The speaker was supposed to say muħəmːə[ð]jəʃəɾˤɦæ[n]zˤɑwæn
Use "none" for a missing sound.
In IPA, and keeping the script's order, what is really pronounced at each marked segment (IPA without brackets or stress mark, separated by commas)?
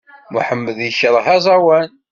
ð, none